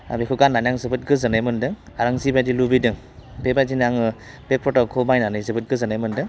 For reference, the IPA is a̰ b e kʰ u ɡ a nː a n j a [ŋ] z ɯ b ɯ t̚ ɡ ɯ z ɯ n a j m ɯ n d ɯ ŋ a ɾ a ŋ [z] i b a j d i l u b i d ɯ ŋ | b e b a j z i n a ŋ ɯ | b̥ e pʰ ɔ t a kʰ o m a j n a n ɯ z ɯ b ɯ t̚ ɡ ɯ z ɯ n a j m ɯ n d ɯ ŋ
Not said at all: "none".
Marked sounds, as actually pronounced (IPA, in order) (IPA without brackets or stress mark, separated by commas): ŋ, z